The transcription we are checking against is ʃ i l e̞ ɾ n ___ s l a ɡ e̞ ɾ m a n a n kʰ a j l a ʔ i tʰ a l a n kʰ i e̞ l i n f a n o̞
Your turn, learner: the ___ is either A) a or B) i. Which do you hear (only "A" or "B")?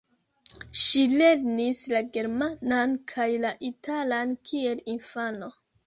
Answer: B